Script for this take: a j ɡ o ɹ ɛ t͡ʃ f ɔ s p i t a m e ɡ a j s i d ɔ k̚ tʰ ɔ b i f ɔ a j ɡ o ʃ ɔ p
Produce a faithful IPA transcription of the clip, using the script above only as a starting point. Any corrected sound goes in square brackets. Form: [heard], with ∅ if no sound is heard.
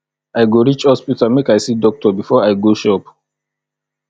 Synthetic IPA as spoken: a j ɡ o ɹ [i] t͡ʃ [h] ɔ s p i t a m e [k] a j s i d ɔ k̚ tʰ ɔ b i f ɔ a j ɡ o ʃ ɔ p